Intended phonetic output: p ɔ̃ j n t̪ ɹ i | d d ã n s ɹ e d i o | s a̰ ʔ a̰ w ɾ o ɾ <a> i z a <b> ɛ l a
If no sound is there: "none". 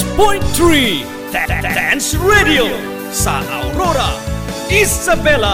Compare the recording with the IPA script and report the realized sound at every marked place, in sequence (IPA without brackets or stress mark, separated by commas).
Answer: a, b